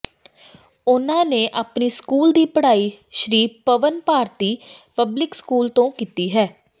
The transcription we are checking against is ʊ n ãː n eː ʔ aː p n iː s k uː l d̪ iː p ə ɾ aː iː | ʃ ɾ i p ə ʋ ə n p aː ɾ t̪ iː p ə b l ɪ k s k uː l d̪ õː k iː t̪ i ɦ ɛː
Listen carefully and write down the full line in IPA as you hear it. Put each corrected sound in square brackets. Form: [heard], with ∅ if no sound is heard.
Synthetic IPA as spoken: ʊ n ãː n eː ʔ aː p n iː s k uː l d̪ iː p ə [ɽ] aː iː | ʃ ɾ [iː] p ə ʋ ə n p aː ɾ t̪ iː p ə b l ɪ k s k uː l [t̪] õː k iː t̪ [iː] ɦ ɛː